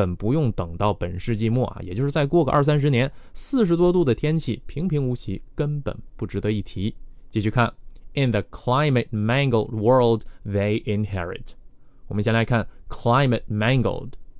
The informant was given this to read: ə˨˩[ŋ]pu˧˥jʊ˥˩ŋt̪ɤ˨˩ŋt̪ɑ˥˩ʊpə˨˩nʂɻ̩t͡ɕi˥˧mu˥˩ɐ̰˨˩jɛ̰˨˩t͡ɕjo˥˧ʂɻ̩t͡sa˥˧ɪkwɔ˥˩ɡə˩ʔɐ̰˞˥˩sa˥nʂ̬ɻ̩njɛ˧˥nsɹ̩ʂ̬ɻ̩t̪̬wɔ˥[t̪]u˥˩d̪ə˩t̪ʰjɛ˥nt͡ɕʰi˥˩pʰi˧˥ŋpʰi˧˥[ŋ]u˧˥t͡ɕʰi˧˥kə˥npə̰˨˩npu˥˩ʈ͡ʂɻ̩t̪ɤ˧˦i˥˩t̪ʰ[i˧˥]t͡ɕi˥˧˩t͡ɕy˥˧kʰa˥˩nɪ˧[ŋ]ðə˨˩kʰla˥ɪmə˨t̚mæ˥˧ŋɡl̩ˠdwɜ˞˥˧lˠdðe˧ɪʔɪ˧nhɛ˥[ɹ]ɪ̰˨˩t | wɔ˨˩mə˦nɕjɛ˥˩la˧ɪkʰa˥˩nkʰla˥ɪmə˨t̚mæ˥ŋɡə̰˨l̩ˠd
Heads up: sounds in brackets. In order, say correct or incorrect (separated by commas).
incorrect, correct, correct, correct, incorrect, correct